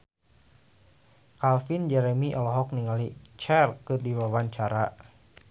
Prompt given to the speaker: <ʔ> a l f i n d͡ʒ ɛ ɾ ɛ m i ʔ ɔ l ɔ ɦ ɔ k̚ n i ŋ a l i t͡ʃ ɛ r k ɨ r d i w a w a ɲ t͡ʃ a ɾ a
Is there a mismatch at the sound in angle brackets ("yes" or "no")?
yes